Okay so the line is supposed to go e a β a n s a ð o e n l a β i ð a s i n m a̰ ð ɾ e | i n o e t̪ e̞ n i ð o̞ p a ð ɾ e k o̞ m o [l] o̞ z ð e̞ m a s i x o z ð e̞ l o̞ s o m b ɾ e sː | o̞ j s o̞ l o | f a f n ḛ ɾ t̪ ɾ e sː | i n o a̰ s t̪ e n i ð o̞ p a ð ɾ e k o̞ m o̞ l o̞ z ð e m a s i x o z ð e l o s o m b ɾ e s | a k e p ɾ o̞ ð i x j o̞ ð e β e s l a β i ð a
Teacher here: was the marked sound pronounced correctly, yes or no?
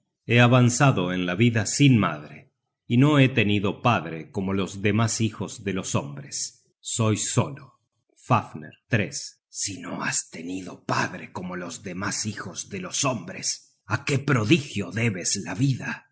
yes